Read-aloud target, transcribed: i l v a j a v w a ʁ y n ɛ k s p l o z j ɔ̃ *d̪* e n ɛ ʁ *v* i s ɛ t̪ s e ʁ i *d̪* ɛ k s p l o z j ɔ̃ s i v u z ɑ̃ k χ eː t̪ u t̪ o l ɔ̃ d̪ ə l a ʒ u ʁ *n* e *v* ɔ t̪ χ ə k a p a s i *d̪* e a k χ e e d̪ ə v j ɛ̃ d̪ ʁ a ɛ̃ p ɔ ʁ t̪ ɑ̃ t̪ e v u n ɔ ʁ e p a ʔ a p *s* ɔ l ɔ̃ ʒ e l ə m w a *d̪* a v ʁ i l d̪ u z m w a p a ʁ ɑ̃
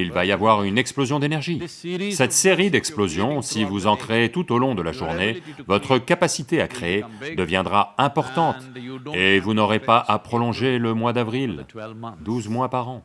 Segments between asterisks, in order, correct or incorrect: correct, incorrect: ʒ, correct, correct, correct, incorrect: t̪, incorrect: χ, correct

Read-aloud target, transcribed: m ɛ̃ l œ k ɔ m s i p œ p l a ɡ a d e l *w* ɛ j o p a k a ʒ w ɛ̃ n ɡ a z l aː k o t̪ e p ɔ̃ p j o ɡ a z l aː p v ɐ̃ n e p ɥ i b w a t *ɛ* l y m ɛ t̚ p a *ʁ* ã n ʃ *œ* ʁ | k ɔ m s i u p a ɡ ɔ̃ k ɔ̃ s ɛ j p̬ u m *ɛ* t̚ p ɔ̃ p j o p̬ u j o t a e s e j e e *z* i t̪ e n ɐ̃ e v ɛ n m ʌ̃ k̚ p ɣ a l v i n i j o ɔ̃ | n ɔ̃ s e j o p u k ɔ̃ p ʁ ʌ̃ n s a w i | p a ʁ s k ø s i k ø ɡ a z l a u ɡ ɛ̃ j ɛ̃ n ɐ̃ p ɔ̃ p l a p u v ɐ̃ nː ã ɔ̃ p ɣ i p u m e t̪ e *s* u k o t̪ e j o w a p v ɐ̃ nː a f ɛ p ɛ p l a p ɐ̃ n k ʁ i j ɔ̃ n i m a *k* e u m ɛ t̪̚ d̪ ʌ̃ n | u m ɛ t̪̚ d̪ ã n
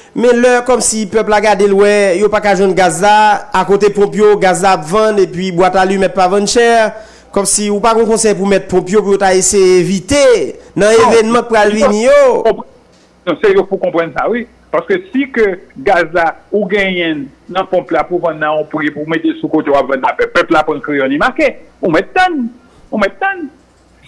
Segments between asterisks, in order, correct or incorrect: correct, incorrect: a, incorrect: v, incorrect: ɛ, correct, incorrect: v, correct, correct

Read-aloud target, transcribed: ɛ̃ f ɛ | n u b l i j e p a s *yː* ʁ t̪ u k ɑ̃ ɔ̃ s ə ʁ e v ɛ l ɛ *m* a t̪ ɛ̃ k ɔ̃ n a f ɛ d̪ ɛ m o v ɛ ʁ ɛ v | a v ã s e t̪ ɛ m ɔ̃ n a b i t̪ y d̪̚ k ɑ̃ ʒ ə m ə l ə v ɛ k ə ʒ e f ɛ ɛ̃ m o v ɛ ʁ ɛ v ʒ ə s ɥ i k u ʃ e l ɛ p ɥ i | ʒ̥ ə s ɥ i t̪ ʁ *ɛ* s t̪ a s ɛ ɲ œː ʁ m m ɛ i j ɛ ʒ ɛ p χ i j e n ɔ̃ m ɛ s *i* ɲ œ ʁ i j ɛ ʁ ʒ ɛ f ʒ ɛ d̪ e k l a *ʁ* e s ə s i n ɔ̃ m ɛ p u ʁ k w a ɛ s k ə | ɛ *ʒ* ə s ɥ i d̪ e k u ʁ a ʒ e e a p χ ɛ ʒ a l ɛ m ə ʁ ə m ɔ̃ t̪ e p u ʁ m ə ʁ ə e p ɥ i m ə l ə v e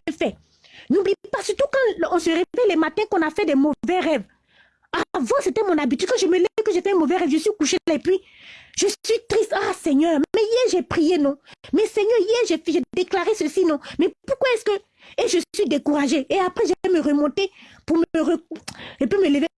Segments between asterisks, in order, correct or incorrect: incorrect: y, correct, incorrect: i, incorrect: ɛ, correct, correct

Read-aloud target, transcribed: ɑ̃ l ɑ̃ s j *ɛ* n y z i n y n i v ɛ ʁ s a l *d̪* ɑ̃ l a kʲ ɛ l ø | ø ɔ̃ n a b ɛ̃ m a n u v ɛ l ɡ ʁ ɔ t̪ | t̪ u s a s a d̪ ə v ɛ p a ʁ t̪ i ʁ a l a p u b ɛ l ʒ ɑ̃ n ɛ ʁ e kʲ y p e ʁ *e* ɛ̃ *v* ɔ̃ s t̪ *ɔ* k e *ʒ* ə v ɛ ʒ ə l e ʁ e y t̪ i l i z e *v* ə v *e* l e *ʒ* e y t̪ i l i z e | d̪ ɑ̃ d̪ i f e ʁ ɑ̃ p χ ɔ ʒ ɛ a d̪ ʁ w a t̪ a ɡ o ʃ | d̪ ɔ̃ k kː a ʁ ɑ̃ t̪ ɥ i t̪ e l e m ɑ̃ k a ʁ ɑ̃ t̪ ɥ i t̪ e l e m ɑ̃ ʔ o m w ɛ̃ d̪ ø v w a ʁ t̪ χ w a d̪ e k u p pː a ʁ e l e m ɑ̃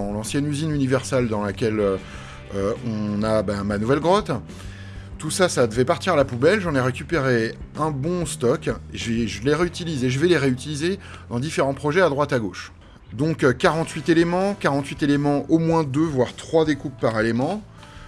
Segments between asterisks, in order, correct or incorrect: correct, correct, correct, incorrect: b, correct, correct, incorrect: ʒ, incorrect: ɛ, incorrect: ʁ

